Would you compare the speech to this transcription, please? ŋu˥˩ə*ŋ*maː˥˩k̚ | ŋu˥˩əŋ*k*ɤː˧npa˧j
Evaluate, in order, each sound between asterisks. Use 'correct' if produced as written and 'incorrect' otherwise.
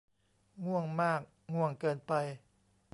correct, correct

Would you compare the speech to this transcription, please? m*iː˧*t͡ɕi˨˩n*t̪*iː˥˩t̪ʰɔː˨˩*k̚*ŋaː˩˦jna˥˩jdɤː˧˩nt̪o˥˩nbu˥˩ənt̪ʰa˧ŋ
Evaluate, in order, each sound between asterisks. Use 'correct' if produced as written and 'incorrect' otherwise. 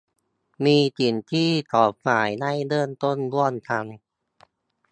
correct, incorrect, incorrect

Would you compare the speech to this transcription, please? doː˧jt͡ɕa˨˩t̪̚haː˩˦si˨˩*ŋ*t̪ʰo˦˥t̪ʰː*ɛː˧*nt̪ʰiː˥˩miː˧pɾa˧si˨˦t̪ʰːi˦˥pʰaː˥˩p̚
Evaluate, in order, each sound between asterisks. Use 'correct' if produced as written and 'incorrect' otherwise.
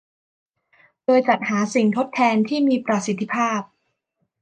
correct, correct

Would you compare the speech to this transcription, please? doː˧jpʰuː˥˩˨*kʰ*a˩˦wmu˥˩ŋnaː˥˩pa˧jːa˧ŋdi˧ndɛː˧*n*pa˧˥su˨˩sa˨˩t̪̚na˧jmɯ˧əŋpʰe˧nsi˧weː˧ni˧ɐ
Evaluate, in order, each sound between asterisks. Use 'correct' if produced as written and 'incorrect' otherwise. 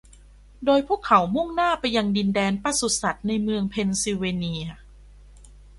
correct, correct

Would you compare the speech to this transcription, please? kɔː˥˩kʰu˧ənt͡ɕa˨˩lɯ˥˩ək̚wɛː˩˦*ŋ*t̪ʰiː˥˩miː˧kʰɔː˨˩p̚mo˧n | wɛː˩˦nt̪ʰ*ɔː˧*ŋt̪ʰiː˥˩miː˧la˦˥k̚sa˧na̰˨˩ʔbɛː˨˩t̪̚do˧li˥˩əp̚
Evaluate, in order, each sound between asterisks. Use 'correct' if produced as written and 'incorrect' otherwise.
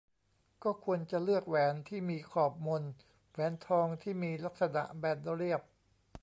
incorrect, correct

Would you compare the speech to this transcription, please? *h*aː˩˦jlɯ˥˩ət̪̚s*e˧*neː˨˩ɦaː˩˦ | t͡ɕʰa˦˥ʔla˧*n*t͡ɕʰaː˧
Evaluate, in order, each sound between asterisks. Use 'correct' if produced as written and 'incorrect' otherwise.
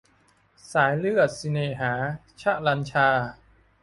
incorrect, incorrect, correct

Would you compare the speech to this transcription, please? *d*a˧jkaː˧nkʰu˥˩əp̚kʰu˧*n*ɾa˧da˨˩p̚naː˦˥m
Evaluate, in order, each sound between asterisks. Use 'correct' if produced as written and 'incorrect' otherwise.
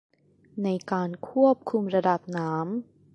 incorrect, incorrect

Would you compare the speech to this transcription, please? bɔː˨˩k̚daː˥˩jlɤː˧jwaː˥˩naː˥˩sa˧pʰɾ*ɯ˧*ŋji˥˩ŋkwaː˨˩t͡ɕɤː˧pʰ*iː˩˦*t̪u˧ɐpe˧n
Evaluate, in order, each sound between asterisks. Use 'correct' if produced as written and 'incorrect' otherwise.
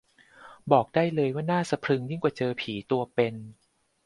correct, correct

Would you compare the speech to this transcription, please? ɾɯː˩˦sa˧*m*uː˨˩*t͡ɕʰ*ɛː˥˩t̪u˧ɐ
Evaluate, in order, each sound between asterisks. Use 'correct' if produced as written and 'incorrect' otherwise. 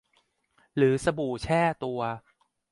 incorrect, correct

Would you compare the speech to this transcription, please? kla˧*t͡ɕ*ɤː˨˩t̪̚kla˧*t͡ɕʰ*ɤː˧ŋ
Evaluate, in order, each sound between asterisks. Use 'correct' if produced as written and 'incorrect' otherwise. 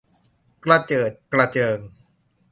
correct, incorrect

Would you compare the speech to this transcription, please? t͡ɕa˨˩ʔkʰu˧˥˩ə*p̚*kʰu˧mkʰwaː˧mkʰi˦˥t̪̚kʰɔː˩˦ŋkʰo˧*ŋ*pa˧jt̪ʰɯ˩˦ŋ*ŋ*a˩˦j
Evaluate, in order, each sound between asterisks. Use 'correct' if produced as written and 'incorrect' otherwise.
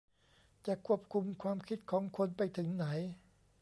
correct, incorrect, incorrect

